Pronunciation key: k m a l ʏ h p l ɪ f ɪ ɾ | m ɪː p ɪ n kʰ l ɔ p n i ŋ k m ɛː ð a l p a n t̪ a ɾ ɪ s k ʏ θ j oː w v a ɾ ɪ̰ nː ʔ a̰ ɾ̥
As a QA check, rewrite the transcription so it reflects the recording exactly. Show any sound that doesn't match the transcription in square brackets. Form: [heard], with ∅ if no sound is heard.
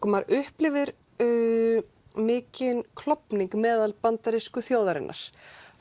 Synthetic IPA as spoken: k m a [ɾ] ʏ h p l ɪ [v] ɪ ɾ | m ɪː [c] ɪ n kʰ l ɔ p n i ŋ k m ɛː ð a l p a n t̪ a ɾ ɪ s k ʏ θ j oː w [ð] a ɾ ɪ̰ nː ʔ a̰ ɾ̥